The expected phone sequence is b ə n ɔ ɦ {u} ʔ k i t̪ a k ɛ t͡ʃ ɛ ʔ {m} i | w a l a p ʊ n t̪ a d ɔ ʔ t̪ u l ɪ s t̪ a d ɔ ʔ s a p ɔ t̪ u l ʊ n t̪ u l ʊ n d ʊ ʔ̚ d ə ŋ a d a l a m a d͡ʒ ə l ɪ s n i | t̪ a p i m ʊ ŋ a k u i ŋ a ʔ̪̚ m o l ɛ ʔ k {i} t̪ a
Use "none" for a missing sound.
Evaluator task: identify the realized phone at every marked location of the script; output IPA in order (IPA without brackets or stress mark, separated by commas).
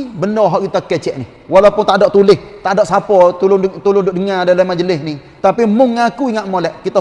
ɔ, n, i